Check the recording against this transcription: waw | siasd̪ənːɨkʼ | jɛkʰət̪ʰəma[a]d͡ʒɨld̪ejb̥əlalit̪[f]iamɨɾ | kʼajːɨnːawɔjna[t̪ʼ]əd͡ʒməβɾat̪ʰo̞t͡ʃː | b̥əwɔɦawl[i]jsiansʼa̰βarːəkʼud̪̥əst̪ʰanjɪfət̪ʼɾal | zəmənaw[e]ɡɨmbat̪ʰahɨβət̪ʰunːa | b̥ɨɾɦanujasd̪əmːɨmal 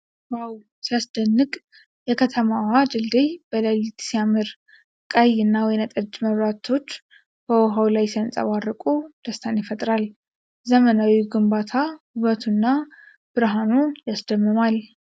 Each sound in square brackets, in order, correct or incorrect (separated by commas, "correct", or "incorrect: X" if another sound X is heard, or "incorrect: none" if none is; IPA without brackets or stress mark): correct, incorrect: s, correct, incorrect: a, incorrect: i